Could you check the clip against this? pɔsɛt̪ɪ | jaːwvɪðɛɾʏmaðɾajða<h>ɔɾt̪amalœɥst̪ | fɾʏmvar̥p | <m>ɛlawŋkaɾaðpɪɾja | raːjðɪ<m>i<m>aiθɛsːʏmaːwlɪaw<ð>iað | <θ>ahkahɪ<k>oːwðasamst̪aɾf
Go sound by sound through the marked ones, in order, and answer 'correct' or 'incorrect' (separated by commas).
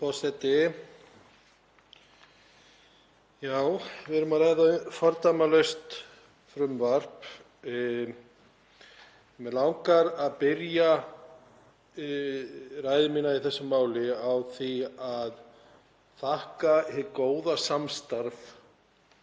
incorrect, correct, correct, incorrect, incorrect, correct, correct